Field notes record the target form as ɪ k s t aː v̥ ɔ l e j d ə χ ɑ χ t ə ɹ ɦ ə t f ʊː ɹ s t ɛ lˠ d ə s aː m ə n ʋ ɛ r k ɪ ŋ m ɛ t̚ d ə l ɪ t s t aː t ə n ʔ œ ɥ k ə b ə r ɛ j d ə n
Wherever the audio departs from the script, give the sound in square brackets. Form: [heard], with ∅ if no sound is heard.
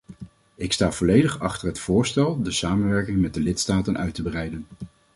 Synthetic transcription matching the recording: ɪ k s t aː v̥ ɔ l e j d ə χ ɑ χ t ə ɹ ɦ ə t f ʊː ɹ s t ɛ lˠ d ə s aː m ə n ʋ ɛ [ɹ] k ɪ ŋ m ɛ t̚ d ə l ɪ t s t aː t ə n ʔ œ ɥ [t] ə b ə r ɛ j d ə n